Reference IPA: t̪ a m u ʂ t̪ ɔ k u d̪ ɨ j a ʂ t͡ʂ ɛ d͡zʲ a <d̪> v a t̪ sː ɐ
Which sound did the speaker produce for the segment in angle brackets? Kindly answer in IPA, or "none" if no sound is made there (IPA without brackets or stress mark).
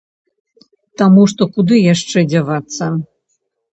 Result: none